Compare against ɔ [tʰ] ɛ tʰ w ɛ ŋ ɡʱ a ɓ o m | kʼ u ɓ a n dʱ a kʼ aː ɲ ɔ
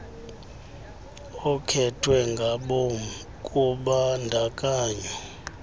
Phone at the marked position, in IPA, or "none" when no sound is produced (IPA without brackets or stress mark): kʰ